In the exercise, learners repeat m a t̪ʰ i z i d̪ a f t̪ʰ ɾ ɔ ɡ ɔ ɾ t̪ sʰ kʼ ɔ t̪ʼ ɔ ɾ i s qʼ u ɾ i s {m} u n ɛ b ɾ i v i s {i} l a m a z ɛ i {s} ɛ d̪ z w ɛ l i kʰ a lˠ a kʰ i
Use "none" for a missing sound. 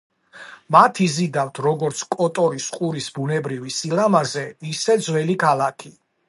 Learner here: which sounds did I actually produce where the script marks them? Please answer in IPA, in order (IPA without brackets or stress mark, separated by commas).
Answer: b, i, s